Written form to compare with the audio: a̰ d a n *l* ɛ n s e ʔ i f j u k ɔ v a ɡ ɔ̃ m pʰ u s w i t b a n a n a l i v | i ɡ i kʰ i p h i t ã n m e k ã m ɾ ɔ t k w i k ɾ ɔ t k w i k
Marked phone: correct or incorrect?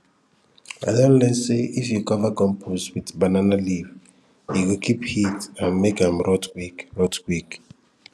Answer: correct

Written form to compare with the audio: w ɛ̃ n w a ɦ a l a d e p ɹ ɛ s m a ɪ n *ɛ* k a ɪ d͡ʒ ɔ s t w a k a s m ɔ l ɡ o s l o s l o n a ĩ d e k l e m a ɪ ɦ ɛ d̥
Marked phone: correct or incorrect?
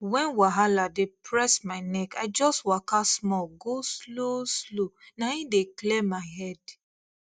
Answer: correct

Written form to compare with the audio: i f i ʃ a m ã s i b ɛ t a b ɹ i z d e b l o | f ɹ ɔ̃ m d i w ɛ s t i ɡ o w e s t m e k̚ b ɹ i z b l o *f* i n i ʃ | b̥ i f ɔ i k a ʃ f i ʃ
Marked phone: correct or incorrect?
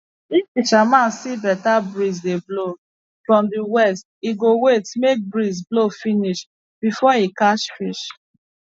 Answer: correct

